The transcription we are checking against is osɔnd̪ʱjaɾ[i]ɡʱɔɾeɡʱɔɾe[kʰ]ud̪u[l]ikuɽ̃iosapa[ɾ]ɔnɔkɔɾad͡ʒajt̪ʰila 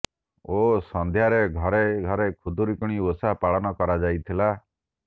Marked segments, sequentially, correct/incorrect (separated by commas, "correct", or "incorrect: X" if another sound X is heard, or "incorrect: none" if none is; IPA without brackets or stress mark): incorrect: e, correct, incorrect: ɾ, incorrect: ɭ